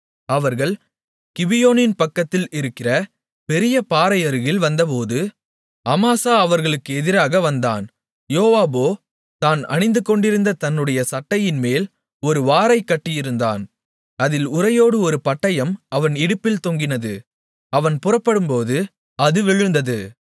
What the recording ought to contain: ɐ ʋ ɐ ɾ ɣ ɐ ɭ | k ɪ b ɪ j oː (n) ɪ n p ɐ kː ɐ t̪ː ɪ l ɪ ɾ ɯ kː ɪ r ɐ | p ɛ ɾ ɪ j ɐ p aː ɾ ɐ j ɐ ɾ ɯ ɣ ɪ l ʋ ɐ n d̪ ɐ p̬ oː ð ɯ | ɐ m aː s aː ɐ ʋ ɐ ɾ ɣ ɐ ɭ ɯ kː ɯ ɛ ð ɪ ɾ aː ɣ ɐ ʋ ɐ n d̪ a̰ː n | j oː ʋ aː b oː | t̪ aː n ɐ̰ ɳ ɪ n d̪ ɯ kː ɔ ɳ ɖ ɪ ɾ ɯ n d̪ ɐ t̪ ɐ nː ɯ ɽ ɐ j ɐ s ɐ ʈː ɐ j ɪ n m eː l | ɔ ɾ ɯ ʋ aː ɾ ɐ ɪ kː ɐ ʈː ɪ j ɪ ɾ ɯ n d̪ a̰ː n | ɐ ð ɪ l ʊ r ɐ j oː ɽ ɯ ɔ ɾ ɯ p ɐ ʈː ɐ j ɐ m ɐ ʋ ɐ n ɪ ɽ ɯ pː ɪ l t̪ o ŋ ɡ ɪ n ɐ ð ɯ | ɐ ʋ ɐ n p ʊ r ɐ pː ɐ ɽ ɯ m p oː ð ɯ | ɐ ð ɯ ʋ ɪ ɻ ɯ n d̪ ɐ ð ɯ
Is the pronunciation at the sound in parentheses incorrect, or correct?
correct